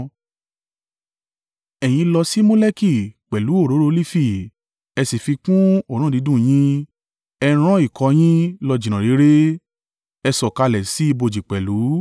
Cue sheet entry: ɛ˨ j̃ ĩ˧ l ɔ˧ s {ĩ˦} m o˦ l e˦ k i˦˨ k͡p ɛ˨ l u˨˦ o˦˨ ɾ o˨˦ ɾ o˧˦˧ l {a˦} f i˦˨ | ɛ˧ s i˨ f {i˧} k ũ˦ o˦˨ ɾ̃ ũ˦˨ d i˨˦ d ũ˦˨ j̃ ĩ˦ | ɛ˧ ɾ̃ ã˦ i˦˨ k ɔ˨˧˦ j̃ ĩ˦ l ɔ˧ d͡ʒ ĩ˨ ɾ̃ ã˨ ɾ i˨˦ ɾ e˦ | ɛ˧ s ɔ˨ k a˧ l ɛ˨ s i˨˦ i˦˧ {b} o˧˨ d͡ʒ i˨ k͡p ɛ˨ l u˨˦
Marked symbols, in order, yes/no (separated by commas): no, no, yes, yes